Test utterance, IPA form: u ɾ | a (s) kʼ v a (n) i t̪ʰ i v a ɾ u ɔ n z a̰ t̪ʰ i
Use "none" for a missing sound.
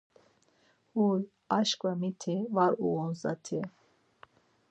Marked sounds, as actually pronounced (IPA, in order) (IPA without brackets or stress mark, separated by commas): ʃ, m